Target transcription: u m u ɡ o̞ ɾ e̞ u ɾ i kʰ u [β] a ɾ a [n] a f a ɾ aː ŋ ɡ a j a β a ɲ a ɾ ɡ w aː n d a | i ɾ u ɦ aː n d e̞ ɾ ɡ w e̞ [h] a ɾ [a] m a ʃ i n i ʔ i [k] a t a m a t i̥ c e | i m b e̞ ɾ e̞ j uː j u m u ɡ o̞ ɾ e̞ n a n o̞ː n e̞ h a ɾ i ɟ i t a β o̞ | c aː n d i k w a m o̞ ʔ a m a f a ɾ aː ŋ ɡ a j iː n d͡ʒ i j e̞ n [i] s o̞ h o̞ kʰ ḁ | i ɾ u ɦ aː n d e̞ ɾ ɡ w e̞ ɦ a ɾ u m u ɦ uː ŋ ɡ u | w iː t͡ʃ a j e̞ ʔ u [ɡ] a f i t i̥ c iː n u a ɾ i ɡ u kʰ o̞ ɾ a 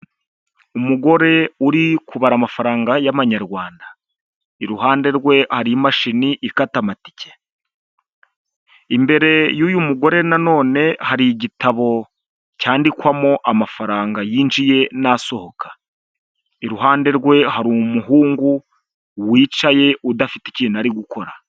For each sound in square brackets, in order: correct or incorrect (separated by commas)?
correct, incorrect, correct, incorrect, correct, incorrect, incorrect